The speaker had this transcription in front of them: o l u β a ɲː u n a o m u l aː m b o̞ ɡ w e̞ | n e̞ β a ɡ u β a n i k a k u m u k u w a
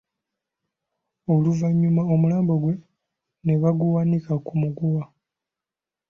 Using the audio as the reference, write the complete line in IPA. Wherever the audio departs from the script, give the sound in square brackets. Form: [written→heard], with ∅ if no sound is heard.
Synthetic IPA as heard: o l u [β→v] a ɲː u [n→m] a o m u l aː m b o̞ ɡ w e̞ | n e̞ β a ɡ u [β→w] a n i k a k u m u [k→ɡ] u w a